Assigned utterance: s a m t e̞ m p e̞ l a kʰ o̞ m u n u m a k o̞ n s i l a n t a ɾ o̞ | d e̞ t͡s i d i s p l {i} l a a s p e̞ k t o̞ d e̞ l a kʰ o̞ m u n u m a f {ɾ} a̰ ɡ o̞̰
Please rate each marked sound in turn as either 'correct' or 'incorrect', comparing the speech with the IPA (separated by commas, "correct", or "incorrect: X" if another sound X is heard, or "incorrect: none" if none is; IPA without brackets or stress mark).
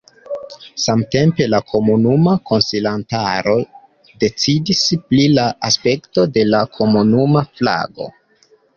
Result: correct, incorrect: l